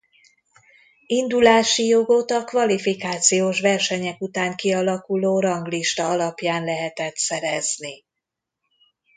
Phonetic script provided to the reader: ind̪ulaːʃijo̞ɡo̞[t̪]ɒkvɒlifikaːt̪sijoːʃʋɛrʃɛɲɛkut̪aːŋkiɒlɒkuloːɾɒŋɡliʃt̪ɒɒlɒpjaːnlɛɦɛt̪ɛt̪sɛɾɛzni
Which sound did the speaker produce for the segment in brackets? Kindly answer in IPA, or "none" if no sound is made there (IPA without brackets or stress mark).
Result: t̪